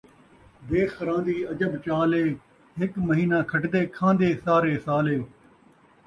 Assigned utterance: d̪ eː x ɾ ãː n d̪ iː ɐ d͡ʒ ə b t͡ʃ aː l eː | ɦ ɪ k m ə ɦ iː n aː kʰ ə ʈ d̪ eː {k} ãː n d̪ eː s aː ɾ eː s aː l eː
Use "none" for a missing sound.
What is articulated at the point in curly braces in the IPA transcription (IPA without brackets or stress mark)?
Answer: kʰ